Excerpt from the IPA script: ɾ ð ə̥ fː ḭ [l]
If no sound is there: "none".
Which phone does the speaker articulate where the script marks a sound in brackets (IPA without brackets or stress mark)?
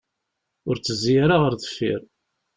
ɾ